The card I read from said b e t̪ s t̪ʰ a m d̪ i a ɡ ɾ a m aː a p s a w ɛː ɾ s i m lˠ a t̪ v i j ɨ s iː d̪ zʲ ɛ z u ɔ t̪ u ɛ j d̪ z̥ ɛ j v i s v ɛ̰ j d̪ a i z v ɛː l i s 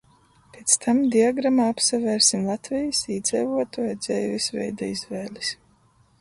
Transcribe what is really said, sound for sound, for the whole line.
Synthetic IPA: p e t̪ s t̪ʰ a m d̪ i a ɡ ɾ a m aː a p s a v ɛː ɾ s i m lˠ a t̪ v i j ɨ s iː d̪ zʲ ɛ v u ɔ t̪ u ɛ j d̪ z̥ ɛ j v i s v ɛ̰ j d̪ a i z v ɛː l i s

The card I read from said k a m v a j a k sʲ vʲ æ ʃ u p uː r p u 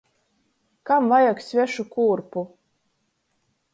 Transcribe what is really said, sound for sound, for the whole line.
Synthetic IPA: k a m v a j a k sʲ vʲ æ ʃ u k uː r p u

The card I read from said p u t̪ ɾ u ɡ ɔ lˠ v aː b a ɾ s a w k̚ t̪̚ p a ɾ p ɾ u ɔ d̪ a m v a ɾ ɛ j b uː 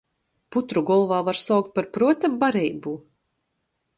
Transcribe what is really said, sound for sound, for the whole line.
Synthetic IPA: p u t̪ ɾ u ɡ ɔ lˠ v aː v a ɾ s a w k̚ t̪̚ p a ɾ p ɾ u ɔ t̪ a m b a ɾ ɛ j b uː

